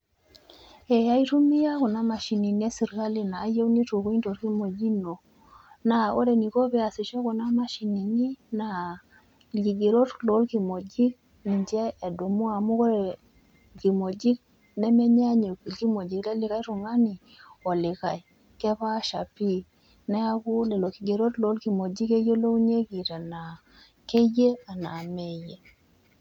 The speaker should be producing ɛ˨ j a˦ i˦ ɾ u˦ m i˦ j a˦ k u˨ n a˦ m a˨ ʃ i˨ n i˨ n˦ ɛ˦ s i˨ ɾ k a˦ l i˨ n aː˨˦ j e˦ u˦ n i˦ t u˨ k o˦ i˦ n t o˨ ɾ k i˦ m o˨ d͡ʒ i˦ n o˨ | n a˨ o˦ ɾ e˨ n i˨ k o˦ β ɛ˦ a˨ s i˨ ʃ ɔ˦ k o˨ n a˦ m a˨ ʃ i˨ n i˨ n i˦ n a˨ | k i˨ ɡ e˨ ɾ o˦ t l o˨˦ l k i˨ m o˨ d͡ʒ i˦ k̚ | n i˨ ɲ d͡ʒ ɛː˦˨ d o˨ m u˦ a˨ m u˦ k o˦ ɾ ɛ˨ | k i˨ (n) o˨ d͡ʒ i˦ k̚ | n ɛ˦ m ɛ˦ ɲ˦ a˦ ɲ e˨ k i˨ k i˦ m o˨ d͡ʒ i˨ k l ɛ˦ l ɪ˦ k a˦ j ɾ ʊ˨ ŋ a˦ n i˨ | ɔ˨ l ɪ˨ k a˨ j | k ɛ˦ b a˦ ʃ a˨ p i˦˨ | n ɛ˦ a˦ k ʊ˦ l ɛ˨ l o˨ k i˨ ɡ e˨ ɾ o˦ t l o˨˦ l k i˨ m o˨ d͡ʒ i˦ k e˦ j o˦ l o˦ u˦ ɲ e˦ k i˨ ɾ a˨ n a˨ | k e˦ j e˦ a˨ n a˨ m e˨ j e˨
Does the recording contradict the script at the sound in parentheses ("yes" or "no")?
yes